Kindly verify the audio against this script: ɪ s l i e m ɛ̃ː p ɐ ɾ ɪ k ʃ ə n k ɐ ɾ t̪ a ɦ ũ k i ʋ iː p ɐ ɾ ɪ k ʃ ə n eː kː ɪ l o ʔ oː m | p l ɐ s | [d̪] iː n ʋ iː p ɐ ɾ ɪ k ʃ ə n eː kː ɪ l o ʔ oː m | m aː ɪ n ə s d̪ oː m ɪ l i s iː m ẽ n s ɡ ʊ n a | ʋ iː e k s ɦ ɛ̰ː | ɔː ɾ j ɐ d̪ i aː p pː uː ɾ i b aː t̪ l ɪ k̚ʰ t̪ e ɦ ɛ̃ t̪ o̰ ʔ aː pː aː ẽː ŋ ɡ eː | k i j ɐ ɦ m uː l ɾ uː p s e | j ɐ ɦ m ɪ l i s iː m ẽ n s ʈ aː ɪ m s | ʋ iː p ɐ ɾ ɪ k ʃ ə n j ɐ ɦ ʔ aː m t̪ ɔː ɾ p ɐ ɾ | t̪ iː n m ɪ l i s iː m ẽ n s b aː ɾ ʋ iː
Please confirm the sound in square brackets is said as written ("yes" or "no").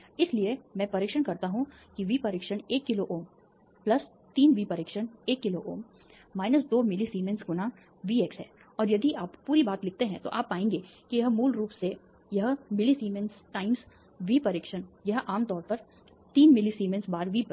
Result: no